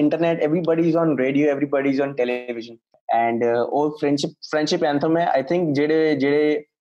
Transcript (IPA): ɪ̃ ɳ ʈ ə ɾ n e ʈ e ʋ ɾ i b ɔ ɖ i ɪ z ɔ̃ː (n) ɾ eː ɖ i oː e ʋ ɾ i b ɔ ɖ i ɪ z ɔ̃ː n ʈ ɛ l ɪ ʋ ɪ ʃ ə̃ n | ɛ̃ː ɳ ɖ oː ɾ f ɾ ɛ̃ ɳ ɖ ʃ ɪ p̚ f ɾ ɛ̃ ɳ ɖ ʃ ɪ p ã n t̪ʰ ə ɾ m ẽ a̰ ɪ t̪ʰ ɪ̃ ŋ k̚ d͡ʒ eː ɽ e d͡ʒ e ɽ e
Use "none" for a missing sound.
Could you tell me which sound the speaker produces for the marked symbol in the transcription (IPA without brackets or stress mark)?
n